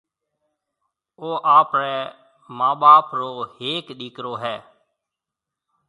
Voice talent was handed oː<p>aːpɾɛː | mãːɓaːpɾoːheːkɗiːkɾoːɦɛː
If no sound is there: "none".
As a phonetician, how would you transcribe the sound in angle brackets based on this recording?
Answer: ʔ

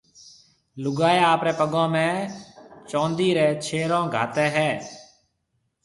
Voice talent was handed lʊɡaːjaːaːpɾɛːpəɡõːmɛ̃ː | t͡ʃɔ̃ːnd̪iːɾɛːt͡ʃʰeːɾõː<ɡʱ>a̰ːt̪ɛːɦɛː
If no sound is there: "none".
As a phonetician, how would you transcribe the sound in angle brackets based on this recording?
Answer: ɡʱ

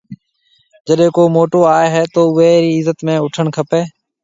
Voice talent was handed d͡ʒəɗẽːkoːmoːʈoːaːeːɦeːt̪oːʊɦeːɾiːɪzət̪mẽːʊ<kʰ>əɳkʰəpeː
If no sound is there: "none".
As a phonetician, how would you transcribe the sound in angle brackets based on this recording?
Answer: ʈʰ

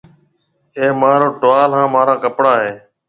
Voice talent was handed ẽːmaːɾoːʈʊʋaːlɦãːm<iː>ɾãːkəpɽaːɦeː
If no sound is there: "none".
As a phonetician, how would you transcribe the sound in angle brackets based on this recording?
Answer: aː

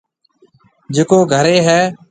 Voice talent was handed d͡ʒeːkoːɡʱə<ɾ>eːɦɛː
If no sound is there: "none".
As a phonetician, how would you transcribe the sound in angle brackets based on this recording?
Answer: ɾ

